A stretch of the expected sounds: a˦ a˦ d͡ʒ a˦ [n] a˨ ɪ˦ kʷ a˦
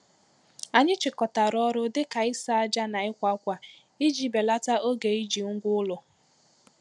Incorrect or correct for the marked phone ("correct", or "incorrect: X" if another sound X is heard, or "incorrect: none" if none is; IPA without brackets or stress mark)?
correct